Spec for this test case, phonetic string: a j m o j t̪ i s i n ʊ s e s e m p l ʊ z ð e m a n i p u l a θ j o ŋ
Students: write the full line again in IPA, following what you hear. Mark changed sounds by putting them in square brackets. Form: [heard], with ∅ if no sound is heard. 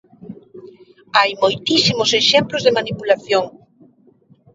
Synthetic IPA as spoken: a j m o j t̪ i s i [m] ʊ s e [ʃ] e m p l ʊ z ð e m a n i p u l a θ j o ŋ